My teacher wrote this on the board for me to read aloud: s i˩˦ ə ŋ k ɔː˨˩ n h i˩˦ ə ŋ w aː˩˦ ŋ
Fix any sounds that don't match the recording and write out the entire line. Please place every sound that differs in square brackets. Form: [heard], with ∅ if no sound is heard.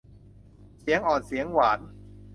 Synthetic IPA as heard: s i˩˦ ə ŋ [ʔ] ɔː˨˩ n [s] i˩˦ ə ŋ w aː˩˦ [n]